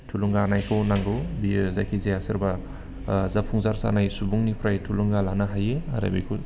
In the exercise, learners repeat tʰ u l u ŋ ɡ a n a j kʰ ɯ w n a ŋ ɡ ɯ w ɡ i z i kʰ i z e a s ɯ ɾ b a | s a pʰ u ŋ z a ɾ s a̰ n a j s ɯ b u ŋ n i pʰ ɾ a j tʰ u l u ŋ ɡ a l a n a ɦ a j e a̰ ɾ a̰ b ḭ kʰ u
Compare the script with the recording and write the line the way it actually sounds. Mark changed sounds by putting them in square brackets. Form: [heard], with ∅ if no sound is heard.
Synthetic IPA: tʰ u l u ŋ ɡ a n a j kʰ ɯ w n a ŋ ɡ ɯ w [b] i z [a] kʰ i z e a s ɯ ɾ b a | [z] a pʰ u ŋ z a ɾ s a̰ n a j s [u] b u ŋ n i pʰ ɾ a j tʰ u l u ŋ ɡ a l a n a ɦ a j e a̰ ɾ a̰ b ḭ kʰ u